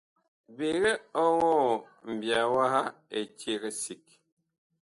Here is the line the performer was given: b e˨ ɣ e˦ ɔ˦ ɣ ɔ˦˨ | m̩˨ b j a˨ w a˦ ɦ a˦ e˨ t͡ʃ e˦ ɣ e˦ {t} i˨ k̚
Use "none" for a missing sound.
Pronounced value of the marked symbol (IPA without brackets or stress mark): s